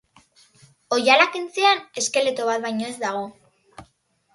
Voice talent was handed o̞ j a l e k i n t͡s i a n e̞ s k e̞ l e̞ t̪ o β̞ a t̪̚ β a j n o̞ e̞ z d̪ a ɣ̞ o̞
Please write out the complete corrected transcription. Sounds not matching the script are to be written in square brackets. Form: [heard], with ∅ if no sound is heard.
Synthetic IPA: o̞ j a l [a] k i n t͡s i a n e̞ s k e̞ l e̞ t̪ o β̞ a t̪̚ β a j [ɲ] o̞ e̞ z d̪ a ɣ̞ o̞